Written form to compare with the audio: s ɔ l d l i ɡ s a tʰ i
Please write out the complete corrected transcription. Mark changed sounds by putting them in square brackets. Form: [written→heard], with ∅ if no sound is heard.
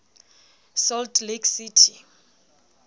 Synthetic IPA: s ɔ l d l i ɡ s [a→i] tʰ i